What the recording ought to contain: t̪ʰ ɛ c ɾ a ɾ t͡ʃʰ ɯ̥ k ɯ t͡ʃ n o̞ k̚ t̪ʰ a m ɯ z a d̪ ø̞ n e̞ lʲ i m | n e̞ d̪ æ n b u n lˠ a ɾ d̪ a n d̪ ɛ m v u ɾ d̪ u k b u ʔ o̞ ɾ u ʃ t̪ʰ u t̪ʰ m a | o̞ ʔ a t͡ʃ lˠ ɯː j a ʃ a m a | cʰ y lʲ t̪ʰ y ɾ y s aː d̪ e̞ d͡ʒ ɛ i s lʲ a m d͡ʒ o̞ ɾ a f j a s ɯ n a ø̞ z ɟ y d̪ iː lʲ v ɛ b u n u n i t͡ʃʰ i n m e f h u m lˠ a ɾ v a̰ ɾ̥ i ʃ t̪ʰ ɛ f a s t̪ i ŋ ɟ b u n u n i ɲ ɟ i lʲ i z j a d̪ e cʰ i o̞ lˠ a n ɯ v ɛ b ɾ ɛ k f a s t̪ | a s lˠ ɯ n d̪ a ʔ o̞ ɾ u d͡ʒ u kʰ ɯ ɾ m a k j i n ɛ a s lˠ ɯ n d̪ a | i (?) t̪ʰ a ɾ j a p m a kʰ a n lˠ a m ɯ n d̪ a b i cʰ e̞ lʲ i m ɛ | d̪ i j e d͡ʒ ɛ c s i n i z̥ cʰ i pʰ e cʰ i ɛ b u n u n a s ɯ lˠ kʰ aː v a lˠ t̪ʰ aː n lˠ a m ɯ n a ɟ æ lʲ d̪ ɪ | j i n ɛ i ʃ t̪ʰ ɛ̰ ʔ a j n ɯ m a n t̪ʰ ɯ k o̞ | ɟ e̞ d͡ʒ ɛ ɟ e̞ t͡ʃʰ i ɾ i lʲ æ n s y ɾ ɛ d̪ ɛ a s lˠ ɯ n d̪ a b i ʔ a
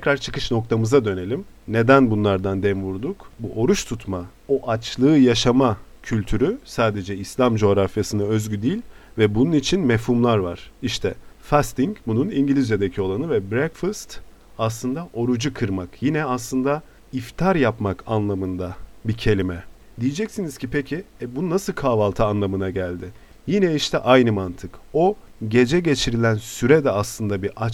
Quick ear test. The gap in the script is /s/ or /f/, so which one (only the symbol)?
f